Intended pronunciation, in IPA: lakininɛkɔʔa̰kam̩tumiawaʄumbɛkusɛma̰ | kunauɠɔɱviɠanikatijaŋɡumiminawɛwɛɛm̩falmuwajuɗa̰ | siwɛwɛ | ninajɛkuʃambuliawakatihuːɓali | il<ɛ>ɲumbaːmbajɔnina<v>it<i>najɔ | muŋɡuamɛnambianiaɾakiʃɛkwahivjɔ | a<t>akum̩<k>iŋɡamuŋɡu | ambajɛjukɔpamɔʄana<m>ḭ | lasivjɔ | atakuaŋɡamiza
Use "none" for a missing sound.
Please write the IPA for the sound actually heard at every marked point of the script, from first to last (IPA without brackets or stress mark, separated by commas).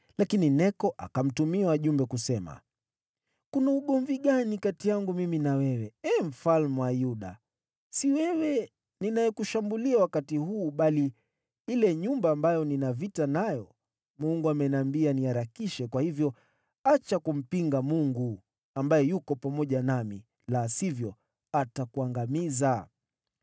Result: ɛ, v, a, t͡ʃ, p, m